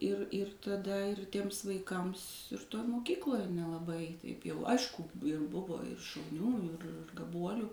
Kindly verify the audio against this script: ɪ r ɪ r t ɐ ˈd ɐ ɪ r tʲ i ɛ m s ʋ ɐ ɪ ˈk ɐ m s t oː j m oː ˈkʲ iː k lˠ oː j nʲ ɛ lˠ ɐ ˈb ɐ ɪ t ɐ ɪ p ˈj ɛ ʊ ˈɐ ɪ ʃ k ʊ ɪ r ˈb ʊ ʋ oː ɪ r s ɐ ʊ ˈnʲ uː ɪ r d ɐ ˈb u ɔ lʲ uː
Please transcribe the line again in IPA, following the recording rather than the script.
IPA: ɪ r ɪ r t ɐ ˈd ɐ ɪ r tʲ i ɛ m s ʋ ɐ ɪ ˈk ɐ m s t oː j m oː ˈkʲ iː k lˠ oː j nʲ ɛ lˠ ɐ ˈb ɐ ɪ t ɐ ɪ p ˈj ɛ ʊ ˈɐ ɪ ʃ k ʊ ɪ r ˈb ʊ ʋ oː ɪ r ʃ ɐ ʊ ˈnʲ uː ɪ r ɡ ɐ ˈb u ɔ lʲ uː